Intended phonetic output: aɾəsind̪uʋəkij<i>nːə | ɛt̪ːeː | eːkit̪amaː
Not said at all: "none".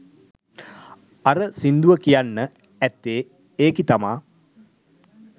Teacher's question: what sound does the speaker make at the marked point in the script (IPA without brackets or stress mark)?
a